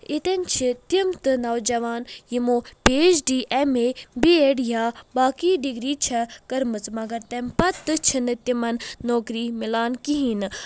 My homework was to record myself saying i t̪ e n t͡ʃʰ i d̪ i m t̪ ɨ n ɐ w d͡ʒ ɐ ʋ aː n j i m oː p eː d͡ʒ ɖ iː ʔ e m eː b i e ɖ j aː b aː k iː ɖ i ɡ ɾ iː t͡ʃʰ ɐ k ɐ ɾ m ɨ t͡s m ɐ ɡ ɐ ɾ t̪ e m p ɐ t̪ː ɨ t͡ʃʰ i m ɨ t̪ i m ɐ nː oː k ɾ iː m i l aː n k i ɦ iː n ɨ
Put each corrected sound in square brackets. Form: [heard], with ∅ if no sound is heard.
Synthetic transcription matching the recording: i t̪ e n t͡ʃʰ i [t̪] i m t̪ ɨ n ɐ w d͡ʒ ɐ ʋ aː n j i m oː p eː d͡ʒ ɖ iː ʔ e m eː b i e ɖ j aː b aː k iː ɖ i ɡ ɾ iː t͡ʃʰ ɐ k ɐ ɾ m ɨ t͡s m ɐ ɡ ɐ ɾ t̪ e m p ɐ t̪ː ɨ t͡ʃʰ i [n] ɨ t̪ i m ɐ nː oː k ɾ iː m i l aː n k i ɦ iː n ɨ

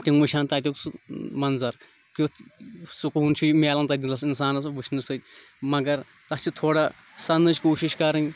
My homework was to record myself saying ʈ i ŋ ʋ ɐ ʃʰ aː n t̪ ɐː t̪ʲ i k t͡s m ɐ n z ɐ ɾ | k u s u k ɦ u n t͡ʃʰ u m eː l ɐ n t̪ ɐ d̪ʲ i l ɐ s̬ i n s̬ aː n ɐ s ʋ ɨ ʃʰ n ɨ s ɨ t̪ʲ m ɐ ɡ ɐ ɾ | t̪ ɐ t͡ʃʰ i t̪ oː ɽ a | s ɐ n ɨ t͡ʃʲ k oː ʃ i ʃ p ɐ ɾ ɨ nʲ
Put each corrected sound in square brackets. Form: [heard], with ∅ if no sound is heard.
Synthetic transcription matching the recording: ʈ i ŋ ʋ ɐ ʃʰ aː n t̪ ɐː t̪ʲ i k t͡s m ɐ n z ɐ ɾ | k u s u k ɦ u n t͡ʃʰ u m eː l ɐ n t̪ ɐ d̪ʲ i l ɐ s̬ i n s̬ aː n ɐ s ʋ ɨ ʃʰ n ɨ s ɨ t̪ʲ m ɐ ɡ ɐ ɾ | t̪ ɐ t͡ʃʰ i [t̪ʰ] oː ɽ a | s ɐ n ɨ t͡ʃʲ k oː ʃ i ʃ [k] ɐ ɾ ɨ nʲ

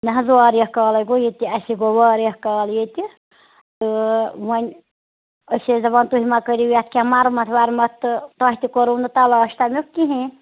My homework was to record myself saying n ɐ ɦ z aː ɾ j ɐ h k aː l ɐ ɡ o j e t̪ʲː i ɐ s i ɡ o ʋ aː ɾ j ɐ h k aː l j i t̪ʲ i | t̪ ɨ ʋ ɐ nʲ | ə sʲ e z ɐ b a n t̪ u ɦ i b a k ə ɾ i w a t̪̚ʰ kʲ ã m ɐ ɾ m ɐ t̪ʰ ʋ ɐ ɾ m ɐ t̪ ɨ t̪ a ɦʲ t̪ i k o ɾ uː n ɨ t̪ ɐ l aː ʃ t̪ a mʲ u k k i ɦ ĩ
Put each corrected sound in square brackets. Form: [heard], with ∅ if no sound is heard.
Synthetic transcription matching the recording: n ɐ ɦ z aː ɾ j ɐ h k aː l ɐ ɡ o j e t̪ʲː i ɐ s i ɡ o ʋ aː ɾ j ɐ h k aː l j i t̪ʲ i | t̪ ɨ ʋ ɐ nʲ | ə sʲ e z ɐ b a n t̪ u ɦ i [m] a k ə ɾ i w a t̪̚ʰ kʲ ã m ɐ ɾ m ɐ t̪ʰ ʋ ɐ ɾ m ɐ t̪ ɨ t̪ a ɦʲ t̪ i k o ɾ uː n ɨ t̪ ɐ l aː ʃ t̪ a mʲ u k k i ɦ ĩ

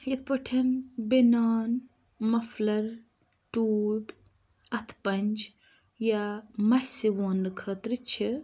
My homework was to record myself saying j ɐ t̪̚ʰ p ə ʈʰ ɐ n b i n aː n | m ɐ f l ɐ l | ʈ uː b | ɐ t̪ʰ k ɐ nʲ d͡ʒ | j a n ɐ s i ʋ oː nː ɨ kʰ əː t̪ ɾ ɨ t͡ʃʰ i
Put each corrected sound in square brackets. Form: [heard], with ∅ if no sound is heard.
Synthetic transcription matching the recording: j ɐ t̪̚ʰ p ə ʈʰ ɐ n b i n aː n | m ɐ f l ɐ [ɾ] | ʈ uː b | ɐ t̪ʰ [p] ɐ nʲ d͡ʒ | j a [m] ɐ s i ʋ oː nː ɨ kʰ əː t̪ ɾ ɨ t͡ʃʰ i

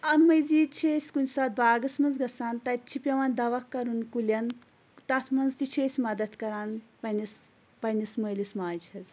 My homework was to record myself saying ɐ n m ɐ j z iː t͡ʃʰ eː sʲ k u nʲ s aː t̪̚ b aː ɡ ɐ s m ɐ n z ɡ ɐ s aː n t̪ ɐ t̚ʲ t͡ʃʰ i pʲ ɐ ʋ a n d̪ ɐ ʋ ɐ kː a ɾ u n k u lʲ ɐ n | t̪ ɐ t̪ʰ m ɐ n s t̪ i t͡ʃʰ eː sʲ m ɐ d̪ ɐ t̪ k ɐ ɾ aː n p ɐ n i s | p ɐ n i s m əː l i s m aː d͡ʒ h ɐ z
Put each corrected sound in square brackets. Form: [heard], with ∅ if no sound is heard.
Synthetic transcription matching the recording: ɐ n m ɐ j z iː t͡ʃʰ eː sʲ k u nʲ s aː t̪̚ b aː ɡ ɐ s m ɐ n z ɡ ɐ s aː n t̪ ɐ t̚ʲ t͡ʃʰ i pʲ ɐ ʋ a n d̪ ɐ ʋ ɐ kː [ɐ] ɾ u n k u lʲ ɐ n | t̪ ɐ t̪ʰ m ɐ n [z] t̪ i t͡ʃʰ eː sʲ m ɐ d̪ ɐ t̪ k ɐ ɾ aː n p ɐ n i s | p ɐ n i s m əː l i s m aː d͡ʒ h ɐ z

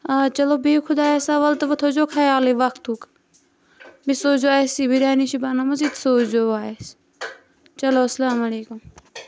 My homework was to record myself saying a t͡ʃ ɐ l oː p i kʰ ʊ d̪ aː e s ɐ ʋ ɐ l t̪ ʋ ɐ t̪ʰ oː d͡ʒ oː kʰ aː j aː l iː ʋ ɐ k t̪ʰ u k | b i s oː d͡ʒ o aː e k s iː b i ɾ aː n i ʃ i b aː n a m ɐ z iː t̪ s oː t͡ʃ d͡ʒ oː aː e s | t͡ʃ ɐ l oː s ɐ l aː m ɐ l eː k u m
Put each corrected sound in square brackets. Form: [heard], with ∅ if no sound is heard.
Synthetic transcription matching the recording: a t͡ʃ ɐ l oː [b] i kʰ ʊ d̪ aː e s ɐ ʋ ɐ l t̪ ʋ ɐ t̪ʰ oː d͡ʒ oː kʰ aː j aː l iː ʋ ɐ k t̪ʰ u k | b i s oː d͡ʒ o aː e [∅] s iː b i ɾ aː n i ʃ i b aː n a m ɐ z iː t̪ s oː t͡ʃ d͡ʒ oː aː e s | t͡ʃ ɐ l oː s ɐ l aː m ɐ l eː k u m

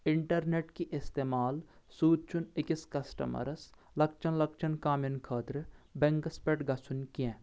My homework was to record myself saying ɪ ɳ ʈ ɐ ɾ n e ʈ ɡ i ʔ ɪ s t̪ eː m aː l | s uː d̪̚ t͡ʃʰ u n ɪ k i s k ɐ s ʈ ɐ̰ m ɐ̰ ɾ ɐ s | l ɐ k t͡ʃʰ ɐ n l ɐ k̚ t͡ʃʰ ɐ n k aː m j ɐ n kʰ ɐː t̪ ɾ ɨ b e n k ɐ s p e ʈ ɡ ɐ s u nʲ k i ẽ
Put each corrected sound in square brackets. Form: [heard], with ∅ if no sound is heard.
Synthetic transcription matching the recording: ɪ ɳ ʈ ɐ ɾ n e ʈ [k] i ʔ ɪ s t̪ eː m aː l | s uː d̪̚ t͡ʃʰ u n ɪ k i s k ɐ s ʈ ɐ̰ m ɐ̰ ɾ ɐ s | l ɐ k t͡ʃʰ ɐ n l ɐ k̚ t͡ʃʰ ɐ n k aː m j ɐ n kʰ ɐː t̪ ɾ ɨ b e [ŋ] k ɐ s p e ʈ ɡ ɐ s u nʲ k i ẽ

